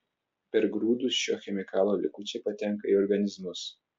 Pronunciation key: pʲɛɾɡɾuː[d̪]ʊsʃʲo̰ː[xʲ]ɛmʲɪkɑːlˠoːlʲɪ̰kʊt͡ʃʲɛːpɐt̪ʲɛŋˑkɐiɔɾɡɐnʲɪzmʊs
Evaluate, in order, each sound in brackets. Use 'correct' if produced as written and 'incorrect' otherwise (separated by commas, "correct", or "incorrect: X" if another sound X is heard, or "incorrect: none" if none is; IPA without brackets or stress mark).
correct, correct